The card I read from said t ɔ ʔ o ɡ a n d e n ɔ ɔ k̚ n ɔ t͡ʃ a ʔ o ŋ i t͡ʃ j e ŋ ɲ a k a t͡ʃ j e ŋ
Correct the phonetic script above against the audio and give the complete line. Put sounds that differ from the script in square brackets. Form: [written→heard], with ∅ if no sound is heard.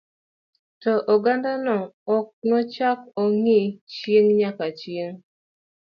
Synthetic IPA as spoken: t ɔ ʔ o ɡ a n d [e→a] n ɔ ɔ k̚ n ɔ t͡ʃ a [ʔ→k] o ŋ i t͡ʃ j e ŋ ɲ a k a t͡ʃ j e ŋ